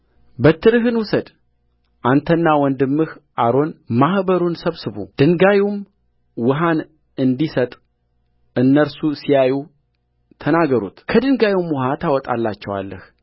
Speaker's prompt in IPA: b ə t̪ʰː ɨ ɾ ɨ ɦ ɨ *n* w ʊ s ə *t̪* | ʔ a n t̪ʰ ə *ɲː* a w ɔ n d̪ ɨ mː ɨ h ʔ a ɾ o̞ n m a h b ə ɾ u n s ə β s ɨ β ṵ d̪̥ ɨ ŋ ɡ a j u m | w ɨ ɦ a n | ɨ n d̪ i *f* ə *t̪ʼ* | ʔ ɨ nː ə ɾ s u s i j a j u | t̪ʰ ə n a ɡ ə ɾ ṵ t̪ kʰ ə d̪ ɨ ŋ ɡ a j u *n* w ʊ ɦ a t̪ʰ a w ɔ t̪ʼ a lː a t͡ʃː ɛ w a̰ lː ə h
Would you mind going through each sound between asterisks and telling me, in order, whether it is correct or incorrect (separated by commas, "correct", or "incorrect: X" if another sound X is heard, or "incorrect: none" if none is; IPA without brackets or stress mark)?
correct, incorrect: d̪, incorrect: nː, incorrect: s, correct, incorrect: m